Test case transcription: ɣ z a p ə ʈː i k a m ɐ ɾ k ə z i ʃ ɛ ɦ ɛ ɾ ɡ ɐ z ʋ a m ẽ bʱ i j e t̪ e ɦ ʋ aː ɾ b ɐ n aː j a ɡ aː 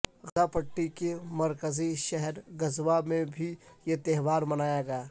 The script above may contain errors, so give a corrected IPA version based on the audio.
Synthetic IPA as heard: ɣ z a p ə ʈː i k e m ɐ ɾ k ə z i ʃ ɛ ɦ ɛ ɾ ɡ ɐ z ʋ a m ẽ bʱ i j e t̪ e ɦ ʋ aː ɾ m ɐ n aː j a ɡ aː